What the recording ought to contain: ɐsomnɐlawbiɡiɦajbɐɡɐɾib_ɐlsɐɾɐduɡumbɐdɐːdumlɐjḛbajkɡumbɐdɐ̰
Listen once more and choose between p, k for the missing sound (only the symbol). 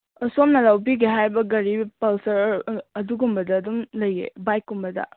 p